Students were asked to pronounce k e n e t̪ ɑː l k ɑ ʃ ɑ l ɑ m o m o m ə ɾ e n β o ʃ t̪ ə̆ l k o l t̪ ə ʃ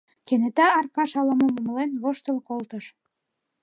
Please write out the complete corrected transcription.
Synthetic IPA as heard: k e n e t̪ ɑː r k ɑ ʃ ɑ l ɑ m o m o m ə l e n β o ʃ t̪ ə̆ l k o l t̪ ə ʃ